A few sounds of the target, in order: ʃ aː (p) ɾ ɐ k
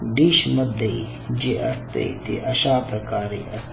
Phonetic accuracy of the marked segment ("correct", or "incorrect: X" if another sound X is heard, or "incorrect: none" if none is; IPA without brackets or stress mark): correct